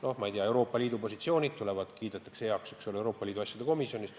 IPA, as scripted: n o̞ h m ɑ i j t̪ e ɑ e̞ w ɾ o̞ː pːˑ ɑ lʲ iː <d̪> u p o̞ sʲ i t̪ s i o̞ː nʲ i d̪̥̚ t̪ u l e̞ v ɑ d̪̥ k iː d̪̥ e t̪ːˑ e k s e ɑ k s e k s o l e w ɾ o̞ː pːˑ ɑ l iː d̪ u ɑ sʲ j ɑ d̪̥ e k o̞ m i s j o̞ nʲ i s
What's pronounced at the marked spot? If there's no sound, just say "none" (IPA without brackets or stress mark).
d̪